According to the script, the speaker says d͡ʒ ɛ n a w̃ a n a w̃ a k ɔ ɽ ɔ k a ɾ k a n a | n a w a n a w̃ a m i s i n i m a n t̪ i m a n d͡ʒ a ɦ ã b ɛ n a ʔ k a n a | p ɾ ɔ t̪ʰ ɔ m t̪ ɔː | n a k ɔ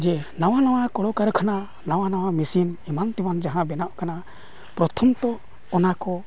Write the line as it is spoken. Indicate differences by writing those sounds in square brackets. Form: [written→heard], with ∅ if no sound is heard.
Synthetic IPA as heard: d͡ʒ ɛ n a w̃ a n a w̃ a k ɔ ɽ ɔ k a ɾ [k→kʰ] a n a | n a w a n a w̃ a m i s i n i m a n t̪ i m a n d͡ʒ a ɦ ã b ɛ n a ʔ k a n a | p ɾ ɔ t̪ʰ ɔ m t̪ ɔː | n a k ɔ